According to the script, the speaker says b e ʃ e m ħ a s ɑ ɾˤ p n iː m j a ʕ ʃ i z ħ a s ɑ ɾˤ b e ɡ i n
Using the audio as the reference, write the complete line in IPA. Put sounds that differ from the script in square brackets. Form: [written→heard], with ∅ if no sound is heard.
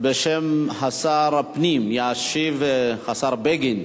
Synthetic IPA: b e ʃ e m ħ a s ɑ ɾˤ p n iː m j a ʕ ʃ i [z→v] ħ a s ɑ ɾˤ b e ɡ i n

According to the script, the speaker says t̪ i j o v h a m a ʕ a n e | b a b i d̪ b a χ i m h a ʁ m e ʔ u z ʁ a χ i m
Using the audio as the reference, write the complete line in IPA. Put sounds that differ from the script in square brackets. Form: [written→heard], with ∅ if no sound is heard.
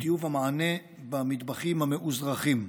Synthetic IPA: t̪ i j [o→u] v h a m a ʕ a n e | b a [b→m] i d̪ b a χ i m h a [ʁ→∅] m e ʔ u z ʁ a χ i m

